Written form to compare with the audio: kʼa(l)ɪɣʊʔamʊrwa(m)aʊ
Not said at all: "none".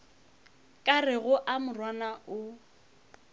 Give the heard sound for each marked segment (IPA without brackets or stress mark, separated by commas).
r, n